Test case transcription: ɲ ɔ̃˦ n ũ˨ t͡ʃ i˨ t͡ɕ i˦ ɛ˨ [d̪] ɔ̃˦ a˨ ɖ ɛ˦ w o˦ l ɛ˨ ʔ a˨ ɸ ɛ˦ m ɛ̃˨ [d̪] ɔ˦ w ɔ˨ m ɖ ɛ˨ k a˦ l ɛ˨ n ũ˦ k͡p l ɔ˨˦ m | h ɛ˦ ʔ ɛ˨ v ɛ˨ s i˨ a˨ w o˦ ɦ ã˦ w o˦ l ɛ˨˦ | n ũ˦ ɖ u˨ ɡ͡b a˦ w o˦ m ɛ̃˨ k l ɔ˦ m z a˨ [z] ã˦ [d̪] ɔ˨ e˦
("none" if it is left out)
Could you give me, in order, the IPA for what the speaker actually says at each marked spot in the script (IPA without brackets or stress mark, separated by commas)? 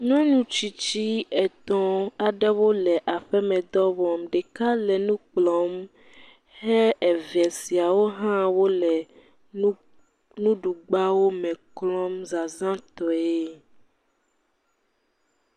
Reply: t̪, d̪, z, t̪